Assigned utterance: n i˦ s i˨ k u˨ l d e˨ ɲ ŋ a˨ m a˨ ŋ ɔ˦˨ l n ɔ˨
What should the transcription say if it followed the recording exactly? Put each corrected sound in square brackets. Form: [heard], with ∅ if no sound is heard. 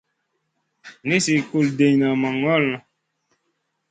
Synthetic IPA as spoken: n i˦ s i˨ k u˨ l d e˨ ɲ [n] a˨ m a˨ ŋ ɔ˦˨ l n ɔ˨